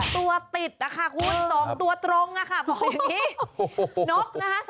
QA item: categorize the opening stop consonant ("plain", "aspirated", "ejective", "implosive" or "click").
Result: plain